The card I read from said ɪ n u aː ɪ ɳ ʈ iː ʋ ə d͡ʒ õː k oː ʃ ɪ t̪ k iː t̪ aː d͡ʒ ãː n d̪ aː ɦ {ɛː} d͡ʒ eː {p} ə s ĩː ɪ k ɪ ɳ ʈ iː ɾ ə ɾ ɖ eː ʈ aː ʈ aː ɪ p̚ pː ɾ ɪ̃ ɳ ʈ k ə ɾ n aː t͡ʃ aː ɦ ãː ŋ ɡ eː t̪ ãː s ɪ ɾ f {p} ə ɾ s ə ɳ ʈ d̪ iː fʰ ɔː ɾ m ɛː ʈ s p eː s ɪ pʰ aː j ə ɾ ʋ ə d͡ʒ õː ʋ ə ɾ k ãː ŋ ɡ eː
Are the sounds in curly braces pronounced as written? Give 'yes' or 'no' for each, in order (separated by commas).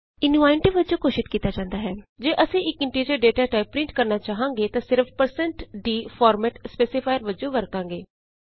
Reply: yes, no, yes